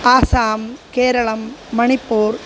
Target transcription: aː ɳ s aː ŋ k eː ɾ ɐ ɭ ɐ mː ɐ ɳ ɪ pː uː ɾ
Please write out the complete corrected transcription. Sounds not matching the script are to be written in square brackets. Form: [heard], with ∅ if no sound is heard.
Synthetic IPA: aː [∅] s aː [m] k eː ɾ ɐ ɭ ɐ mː ɐ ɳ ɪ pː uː ɾ